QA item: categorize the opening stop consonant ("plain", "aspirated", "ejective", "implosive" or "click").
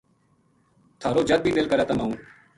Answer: aspirated